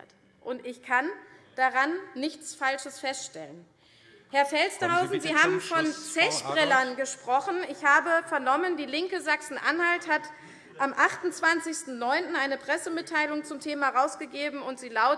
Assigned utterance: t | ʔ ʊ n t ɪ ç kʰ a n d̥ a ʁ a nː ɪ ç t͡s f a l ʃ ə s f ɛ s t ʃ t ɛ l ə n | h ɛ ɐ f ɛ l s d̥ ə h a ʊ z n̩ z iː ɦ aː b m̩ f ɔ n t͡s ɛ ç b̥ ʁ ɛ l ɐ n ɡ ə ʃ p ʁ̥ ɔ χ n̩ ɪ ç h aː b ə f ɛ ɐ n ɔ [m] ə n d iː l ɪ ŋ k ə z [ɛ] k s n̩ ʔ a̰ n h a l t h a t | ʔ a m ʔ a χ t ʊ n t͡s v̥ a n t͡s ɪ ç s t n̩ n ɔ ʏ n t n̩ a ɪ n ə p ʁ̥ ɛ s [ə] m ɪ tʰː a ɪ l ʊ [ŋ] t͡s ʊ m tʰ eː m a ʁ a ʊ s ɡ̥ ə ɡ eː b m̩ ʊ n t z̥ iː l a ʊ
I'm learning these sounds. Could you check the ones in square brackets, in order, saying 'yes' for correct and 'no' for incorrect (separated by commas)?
yes, no, yes, yes